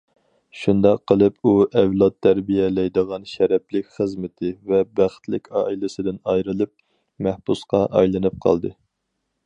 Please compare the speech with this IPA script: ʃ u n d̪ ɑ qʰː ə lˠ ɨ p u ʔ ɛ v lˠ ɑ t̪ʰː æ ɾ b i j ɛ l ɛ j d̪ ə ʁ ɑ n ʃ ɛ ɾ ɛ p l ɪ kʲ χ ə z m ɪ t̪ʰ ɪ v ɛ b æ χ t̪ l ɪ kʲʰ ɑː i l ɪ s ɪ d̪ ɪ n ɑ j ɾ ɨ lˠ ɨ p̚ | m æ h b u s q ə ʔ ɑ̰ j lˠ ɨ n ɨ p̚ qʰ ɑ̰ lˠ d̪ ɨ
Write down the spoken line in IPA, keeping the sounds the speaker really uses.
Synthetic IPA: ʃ u n d̪ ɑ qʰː ə lˠ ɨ p u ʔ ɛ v lˠ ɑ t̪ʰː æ ɾ b i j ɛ l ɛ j d̪ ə ʁ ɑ n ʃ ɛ ɾ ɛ p l ɪ kʲ χ ə z m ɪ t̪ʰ ɪ v ɛ b æ χ t̪ l ɪ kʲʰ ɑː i l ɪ s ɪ d̪ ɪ n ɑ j ɾ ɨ lˠ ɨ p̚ | m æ h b u s q ɑ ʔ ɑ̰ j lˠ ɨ n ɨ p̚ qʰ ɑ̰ lˠ d̪ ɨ